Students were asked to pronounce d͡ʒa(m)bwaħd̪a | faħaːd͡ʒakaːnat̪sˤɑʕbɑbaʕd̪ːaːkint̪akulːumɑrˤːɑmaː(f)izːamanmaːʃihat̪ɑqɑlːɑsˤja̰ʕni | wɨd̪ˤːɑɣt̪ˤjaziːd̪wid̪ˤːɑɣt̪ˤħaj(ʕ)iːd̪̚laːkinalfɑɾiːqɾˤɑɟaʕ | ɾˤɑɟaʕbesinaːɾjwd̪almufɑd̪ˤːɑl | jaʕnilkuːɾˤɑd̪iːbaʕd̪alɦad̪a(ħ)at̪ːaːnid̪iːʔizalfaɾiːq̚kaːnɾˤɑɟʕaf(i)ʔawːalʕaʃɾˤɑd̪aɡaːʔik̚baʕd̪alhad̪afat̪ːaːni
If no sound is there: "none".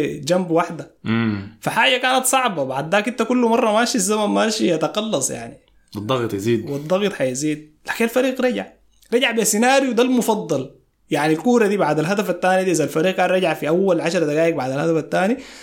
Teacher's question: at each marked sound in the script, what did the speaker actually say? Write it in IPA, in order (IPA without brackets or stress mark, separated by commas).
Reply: m, ʃ, z, f, i